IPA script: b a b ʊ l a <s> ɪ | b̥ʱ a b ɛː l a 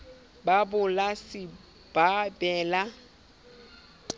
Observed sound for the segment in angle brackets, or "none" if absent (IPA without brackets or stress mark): s